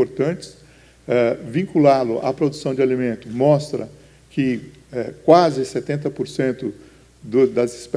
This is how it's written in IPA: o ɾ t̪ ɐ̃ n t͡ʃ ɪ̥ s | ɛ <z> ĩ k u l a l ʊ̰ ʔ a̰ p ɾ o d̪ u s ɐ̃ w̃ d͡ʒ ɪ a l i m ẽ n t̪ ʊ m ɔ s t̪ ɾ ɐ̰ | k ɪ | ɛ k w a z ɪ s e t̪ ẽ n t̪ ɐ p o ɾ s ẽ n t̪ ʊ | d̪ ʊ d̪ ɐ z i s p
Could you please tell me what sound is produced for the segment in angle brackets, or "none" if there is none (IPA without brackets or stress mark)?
v